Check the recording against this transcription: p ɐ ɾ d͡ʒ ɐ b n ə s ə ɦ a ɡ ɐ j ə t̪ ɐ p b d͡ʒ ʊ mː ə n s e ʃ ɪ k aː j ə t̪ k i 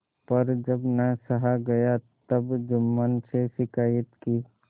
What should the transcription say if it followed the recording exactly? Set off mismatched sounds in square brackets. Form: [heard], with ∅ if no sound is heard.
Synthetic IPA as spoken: p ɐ ɾ d͡ʒ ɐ b n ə s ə ɦ a ɡ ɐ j [a] t̪ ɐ [∅] b d͡ʒ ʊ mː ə n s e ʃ ɪ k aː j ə t̪ k i